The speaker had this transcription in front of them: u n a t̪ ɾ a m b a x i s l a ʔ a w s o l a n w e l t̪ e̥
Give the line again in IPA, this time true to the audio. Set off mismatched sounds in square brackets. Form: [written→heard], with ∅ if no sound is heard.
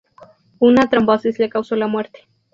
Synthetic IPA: u n a t̪ ɾ a m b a [x→s] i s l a [ʔ→k] a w s o l a [n→m] w e [l→ɾ] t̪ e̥